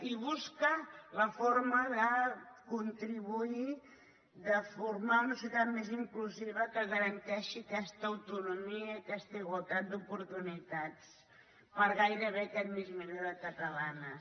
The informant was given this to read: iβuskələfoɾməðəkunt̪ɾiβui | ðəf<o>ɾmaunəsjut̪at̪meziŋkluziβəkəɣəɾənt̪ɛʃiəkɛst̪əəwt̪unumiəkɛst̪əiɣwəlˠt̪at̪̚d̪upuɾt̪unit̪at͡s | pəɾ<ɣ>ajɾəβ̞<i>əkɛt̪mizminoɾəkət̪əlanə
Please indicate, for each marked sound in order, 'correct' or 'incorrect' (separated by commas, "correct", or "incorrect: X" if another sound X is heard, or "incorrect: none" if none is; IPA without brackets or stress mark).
incorrect: u, correct, incorrect: e